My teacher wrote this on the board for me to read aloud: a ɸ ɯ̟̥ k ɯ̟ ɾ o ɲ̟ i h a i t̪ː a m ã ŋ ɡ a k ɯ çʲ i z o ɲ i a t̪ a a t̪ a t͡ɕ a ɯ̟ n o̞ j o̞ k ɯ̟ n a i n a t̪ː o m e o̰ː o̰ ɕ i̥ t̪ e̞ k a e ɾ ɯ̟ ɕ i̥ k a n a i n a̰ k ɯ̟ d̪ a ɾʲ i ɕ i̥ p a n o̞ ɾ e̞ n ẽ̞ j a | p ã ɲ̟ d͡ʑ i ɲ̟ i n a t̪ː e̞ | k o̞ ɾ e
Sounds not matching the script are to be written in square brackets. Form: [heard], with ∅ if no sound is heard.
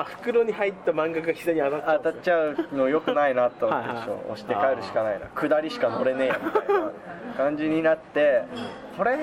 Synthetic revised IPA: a ɸ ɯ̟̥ k ɯ̟ ɾ o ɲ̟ i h a i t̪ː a m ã ŋ ɡ a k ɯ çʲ i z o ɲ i a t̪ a a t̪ a t͡ɕ a ɯ̟ n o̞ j o̞ k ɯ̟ n a i n a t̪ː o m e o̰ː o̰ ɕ i̥ t̪ e̞ k a e ɾ ɯ̟ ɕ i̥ k a n a i n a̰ k ɯ̟ d̪ a ɾʲ i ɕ i̥ [k] a n o̞ ɾ e̞ n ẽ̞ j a | [k] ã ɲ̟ d͡ʑ i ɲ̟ i n a t̪ː e̞ | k o̞ ɾ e